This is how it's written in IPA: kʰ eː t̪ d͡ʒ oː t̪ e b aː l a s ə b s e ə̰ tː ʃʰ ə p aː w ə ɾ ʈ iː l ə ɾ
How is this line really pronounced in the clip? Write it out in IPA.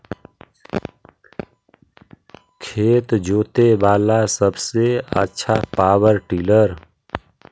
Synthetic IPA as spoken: kʰ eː t̪ d͡ʒ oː t̪ e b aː l a s ə b s e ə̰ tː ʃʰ a p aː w ə ɾ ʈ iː l ə ɾ

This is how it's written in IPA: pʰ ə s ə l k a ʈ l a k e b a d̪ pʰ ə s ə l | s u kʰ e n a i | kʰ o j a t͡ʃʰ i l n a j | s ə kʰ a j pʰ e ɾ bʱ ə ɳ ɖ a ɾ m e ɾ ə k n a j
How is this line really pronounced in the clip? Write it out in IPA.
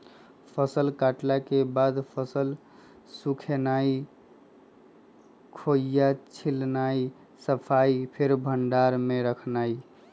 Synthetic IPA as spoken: pʰ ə s ə l k a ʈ l a k e b a d̪ pʰ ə s ə l | s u kʰ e n a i | kʰ o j a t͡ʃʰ i l n a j | s ə pʰ a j pʰ e ɾ bʱ ə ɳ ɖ a ɾ m e ɾ ə kʰ n a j

